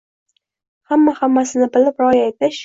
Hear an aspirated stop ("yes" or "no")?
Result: no